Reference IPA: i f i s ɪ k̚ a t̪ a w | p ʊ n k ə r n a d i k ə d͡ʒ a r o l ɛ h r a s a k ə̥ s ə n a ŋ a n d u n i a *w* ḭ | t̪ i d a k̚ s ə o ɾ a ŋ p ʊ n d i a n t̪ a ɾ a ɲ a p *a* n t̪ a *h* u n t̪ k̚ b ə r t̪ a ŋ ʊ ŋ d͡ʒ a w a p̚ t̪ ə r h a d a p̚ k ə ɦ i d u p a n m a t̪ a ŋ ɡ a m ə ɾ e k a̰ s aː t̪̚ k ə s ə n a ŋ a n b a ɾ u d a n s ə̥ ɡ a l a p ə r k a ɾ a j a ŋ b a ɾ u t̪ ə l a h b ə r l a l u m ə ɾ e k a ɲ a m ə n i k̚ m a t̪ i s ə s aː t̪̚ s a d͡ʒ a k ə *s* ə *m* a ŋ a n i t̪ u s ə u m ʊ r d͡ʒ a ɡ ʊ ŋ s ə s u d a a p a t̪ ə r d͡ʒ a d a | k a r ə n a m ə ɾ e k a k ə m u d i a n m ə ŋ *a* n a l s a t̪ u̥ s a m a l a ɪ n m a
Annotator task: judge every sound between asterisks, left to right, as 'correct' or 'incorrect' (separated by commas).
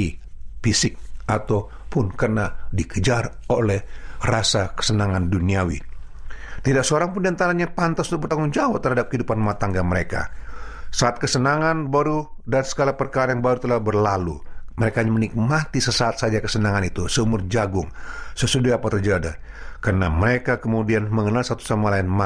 correct, correct, incorrect, correct, incorrect, incorrect